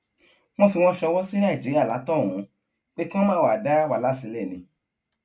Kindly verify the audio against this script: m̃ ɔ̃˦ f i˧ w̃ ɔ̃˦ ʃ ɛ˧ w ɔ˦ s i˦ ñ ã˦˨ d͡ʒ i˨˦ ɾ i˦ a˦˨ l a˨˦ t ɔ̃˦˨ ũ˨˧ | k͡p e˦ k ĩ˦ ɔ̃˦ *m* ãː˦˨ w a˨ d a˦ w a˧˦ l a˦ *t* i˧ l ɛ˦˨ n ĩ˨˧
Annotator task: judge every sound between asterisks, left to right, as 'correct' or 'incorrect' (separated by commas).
correct, incorrect